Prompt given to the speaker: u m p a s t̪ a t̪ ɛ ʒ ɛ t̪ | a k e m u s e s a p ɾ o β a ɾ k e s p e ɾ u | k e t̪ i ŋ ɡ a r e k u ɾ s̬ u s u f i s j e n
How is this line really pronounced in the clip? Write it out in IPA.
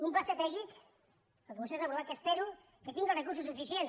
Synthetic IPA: u m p a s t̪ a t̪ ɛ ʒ i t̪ | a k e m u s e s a p ɾ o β a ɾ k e s p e ɾ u | k e t̪ i ŋ ɡ a r e k u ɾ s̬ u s u f i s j e n

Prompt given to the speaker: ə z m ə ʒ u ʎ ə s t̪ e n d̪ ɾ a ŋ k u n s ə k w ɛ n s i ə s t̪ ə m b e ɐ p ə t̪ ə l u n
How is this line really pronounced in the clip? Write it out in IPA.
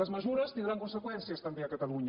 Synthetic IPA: ə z m ə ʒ u ɾ ə s t̪ i n d̪ ɾ a ŋ k u n s ə k w ɛ n s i ə s t̪ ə m b e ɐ k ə t̪ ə l u ɲ

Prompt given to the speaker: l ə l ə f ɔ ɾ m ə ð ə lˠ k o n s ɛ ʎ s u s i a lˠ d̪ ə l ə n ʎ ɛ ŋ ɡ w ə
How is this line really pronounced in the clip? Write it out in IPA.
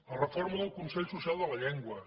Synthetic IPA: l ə r ə f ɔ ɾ m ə ð ə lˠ k u n s ɛ ʎ s u s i a lˠ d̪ ə l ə ʎ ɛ ŋ ɡ w ə

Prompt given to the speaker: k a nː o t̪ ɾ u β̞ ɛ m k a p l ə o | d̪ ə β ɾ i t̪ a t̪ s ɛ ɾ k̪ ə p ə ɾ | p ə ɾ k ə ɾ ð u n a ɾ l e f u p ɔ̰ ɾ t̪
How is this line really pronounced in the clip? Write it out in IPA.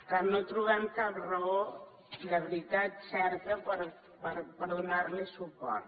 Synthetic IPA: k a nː o t̪ ɾ u β̞ ɛ m k a p r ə o | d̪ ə β ɾ i t̪ a t̪ s ɛ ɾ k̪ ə p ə ɾ | p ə ɾ p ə ɾ ð u n a ɾ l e s u p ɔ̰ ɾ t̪

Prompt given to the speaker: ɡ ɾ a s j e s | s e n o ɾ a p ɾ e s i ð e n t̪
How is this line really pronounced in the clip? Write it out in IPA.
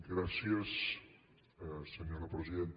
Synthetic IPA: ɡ ɾ a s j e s | s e ɲ o ɾ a p ɾ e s i ð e n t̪

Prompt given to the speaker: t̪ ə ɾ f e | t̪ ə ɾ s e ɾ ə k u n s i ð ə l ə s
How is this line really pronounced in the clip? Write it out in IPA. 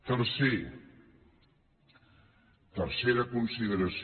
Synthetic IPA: t̪ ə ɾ s e | t̪ ə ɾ s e ɾ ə k u n s i ð ə ɾ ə s

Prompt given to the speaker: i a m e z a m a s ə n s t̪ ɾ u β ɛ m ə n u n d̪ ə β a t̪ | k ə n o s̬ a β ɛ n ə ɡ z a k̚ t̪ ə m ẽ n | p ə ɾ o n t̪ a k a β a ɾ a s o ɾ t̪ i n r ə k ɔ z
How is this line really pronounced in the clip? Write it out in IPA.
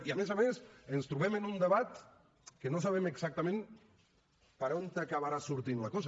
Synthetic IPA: i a m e z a m e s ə n s t̪ ɾ u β ɛ m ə n u n d̪ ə β a t̪ | k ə n o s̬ a β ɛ m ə ɡ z a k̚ t̪ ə m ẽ n | p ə ɾ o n t̪ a k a β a ɾ a s u ɾ t̪ i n l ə k ɔ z

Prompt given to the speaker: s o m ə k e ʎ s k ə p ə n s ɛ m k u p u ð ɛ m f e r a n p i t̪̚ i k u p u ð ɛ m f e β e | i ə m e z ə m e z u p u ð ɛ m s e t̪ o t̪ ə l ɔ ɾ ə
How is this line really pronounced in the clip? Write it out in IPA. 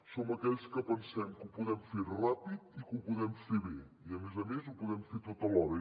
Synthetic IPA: s o m ə k ɛ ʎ s k ə p ə n s ɛ m k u p u ð ɛ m f e r a p i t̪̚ i k u p u ð ɛ m f e β e | i ə m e z ə m e z u p u ð ɛ m f e t̪ o t̪ ə l ɔ ɾ ə

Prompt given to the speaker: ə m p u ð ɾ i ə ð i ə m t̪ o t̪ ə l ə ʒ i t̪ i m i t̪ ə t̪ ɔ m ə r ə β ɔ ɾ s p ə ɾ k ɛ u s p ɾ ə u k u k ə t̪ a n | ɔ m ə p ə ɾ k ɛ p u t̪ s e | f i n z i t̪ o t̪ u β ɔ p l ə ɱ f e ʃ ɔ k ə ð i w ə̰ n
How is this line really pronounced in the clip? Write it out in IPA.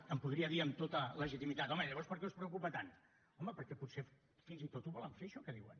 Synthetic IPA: ə m p u ð ɾ i ə ð i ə m t̪ o t̪ ə l ə ʒ i t̪ i m i t̪ a t̪ ɔ m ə ʎ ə β ɔ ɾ s p ə ɾ k ɛ u s p ɾ ə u k u p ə t̪ a n | ɔ m ə p ə ɾ k ɛ p u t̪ s e | f i n z i t̪ o t̪ u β ɔ l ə ɱ f e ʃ ɔ k ə ð i w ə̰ n

